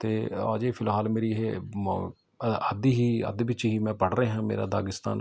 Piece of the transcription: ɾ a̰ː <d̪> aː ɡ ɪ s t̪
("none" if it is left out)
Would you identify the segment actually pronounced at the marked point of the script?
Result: d̪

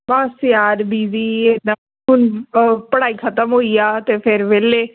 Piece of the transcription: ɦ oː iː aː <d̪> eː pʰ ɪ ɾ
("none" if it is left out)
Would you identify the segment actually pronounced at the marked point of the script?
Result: t̪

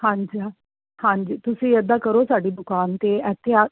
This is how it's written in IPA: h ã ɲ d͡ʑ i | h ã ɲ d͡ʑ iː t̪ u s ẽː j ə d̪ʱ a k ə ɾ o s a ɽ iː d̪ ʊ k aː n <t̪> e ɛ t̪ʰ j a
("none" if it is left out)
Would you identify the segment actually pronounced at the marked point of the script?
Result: t̪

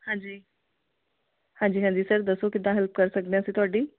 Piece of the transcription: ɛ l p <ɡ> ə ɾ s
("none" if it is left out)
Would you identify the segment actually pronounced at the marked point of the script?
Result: k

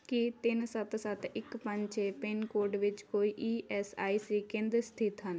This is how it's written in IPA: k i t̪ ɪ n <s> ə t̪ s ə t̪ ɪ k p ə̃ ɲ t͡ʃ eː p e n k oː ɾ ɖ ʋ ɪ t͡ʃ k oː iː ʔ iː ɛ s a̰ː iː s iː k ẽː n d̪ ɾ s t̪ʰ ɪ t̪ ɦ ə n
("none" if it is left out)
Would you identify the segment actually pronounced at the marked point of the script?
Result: s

